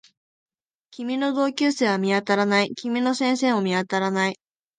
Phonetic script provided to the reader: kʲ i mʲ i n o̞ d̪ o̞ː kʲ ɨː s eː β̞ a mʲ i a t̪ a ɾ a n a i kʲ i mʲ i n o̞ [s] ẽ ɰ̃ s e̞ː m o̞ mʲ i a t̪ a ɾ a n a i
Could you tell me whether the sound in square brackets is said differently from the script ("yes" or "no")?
no